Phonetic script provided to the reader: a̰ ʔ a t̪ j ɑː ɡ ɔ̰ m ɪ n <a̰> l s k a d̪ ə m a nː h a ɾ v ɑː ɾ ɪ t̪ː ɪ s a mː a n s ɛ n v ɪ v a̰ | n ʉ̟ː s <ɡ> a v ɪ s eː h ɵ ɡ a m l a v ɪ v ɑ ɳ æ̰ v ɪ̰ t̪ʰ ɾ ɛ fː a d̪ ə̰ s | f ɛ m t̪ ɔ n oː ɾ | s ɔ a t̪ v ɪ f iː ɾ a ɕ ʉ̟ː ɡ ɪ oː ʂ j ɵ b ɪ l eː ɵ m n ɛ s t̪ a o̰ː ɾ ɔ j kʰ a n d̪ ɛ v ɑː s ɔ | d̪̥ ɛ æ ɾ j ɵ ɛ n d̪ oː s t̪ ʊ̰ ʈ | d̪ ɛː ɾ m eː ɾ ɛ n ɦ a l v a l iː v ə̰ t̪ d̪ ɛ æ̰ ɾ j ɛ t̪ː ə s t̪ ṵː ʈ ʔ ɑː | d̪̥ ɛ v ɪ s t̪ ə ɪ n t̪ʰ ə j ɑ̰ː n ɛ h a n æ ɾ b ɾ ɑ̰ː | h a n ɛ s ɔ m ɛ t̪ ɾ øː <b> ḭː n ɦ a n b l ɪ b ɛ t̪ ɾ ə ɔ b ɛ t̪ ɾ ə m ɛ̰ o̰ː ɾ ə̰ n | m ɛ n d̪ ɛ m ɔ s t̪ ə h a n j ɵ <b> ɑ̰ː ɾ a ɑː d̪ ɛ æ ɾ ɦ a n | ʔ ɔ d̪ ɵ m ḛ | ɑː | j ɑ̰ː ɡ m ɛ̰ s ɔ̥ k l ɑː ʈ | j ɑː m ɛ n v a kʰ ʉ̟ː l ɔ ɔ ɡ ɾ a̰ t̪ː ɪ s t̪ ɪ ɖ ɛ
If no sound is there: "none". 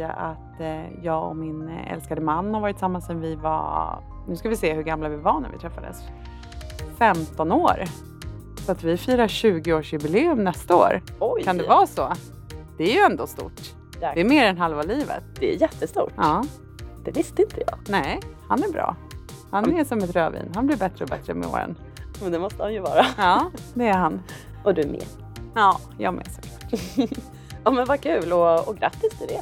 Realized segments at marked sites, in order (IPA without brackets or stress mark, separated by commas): ɛ̰, k, v, v